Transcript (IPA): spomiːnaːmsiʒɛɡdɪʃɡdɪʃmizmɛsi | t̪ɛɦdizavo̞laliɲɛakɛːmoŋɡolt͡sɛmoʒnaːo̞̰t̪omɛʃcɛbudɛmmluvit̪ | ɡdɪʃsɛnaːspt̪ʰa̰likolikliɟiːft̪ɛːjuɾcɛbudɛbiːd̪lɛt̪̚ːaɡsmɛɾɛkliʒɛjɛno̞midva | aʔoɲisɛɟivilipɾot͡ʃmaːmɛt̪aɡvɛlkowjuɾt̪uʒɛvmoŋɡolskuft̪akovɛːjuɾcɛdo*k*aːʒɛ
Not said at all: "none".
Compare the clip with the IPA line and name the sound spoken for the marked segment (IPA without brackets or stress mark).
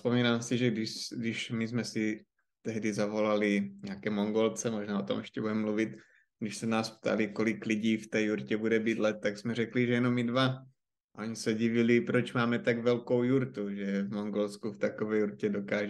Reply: k